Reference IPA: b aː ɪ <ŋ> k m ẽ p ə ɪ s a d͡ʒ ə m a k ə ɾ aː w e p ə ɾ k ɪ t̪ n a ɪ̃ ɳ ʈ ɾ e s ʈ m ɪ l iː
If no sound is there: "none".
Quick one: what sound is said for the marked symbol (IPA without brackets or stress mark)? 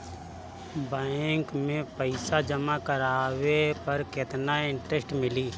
ŋ